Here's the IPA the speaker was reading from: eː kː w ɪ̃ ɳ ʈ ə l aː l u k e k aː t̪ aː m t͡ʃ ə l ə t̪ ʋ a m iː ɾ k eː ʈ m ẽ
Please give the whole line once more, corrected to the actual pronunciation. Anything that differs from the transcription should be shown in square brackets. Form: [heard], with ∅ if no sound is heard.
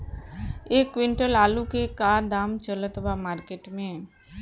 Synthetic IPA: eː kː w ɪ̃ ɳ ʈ ə l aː l u k e k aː [d̪] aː m t͡ʃ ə l ə t̪ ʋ a m [aː] ɾ k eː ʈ m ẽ